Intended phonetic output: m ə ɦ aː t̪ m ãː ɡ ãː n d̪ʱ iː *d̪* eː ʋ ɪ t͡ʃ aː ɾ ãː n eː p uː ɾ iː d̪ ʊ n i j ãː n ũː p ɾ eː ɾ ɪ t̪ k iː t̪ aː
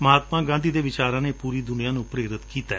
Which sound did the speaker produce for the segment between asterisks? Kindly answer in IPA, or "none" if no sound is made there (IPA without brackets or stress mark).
d̪